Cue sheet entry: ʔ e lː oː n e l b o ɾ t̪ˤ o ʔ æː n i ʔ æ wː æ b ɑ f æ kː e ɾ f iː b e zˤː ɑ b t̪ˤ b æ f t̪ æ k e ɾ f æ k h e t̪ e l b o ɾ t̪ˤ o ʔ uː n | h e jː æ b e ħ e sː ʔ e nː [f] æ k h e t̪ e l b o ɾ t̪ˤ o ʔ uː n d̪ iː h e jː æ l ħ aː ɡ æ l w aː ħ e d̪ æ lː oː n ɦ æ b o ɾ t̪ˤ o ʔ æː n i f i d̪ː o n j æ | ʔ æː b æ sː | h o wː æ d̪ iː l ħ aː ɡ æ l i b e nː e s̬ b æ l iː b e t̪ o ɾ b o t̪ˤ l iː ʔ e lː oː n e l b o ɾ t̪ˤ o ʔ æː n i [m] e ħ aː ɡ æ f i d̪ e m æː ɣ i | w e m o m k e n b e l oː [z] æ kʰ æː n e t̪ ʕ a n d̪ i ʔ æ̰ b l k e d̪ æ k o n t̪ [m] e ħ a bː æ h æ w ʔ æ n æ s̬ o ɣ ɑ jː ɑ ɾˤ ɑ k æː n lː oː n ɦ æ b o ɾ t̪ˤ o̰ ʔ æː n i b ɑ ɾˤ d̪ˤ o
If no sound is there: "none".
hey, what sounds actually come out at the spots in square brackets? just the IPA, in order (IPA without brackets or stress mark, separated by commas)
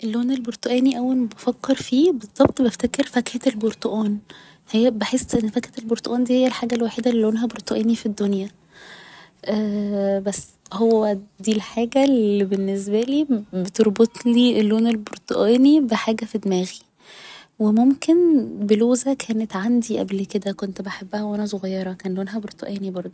f, b, z, b